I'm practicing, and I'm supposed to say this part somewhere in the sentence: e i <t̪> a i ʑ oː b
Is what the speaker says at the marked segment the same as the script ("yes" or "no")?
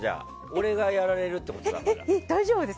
no